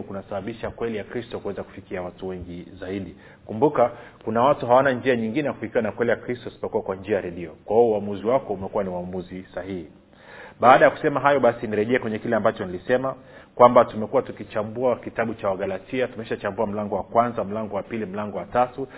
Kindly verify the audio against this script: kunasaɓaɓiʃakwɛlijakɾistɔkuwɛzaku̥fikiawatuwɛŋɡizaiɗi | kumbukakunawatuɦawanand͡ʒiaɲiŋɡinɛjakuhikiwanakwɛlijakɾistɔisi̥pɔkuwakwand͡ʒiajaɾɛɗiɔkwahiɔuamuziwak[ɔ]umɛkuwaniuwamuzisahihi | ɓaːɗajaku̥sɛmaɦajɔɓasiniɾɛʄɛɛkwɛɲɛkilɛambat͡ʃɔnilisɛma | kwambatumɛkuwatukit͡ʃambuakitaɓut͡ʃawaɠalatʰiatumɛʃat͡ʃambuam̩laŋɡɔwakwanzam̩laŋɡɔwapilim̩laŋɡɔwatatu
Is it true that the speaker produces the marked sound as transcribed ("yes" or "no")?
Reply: yes